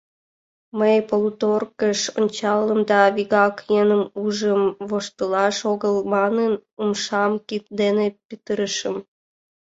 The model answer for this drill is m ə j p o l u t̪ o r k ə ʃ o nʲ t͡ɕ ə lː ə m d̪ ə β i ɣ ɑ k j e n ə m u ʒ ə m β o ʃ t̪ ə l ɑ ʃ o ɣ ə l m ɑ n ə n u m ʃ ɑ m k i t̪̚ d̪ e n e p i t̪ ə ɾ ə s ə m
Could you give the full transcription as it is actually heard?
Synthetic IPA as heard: m ə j p o l u t̪ o r k ə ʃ o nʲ t͡ɕ ɑ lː ə m d̪ ɑ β i ɣ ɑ k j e n ə m u ʒ ə m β o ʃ t̪ ə l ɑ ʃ o ɣ ə l m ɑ n ə n u m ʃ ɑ m k i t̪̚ d̪ e n e p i t̪ ə ɾ ə ʃ ə m